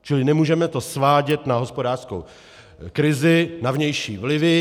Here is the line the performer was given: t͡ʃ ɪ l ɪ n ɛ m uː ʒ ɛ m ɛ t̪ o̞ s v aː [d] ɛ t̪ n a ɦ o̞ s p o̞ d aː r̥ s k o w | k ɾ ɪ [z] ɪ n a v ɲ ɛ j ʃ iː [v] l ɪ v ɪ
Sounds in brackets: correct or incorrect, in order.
incorrect: ɟ, correct, correct

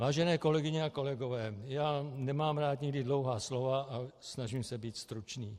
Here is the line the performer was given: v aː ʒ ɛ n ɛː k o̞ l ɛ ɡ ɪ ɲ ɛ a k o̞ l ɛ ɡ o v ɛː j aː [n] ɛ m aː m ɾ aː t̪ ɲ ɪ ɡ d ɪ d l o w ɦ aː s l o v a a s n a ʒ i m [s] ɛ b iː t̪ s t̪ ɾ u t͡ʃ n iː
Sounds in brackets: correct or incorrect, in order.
correct, correct

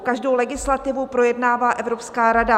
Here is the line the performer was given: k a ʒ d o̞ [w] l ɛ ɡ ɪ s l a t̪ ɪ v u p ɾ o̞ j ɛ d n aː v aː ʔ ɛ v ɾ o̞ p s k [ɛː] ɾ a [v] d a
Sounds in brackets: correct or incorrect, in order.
correct, incorrect: aː, incorrect: none

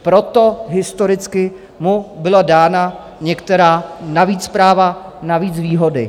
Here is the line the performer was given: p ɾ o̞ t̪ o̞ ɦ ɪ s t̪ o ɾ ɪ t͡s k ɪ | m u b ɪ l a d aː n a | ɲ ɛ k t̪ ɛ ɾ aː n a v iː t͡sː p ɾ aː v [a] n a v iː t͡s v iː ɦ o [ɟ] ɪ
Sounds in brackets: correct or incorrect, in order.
correct, incorrect: d

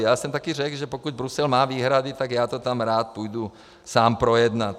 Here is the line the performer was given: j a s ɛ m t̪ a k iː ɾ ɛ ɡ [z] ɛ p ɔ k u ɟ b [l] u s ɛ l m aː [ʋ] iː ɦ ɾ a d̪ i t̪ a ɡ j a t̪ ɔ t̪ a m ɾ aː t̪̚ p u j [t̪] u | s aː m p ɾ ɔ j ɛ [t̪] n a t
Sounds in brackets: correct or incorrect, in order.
incorrect: ʒ, incorrect: ɾ, correct, incorrect: d̪, incorrect: d̪

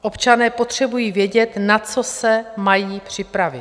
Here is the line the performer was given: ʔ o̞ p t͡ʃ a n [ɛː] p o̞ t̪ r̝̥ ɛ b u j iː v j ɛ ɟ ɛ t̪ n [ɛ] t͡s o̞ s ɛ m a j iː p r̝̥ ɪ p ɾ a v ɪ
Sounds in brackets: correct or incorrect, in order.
correct, incorrect: a

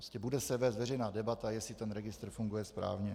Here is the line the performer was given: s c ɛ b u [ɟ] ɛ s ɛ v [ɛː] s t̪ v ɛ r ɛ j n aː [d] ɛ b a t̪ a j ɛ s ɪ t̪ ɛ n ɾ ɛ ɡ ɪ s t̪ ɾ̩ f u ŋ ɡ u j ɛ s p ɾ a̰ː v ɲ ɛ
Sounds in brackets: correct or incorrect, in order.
incorrect: d, correct, correct

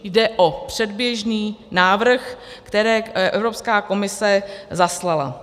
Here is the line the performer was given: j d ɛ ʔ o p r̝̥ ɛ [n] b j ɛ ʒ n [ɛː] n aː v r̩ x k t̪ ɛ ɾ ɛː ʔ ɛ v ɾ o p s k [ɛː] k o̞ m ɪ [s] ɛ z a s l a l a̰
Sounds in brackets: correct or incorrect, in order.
incorrect: d, incorrect: iː, incorrect: aː, correct

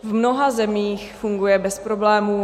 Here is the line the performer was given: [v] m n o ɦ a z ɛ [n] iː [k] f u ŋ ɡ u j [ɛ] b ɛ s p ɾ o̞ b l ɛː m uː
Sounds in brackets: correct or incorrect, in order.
correct, incorrect: m, incorrect: x, correct

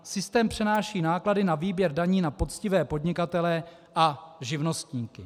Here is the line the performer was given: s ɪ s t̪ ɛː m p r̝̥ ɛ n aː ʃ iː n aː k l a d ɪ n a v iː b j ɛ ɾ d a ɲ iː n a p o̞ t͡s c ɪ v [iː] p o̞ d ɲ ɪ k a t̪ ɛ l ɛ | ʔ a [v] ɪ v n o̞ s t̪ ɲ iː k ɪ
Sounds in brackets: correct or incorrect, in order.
incorrect: ɛː, incorrect: ʒ

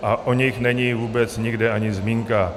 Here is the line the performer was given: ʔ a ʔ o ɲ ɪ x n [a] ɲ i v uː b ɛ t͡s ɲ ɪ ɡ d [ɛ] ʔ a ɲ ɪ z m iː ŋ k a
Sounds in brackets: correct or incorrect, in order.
incorrect: ɛ, correct

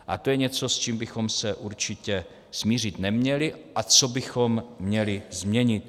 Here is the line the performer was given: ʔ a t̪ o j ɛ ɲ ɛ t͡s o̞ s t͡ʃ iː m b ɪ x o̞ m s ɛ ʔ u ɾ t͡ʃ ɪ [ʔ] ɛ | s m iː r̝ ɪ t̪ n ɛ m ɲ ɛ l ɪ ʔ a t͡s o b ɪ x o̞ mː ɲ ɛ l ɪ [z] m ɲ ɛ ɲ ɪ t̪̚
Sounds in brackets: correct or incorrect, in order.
incorrect: c, correct

